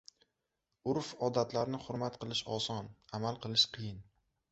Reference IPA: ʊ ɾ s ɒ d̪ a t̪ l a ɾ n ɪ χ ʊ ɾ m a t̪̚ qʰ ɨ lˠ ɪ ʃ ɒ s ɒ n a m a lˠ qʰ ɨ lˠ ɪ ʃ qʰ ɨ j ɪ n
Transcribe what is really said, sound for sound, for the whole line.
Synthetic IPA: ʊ ɾ f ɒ d̪ a t̪ l a ɾ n ɪ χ ʊ ɾ m a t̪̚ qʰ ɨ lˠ ɪ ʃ ɒ s ɒ n a m a lˠ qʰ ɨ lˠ ɪ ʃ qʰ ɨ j ɪ n